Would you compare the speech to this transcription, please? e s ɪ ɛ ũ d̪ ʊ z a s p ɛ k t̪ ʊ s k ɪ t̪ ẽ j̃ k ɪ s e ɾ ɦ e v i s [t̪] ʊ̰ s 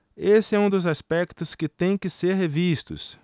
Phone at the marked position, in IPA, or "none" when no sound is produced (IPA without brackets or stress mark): t̪